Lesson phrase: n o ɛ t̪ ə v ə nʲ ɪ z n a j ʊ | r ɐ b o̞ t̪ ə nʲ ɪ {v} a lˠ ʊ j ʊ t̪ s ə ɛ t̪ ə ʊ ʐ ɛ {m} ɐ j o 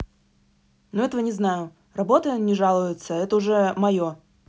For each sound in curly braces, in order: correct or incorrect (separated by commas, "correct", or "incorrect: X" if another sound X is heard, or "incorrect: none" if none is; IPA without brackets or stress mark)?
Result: incorrect: ʐ, correct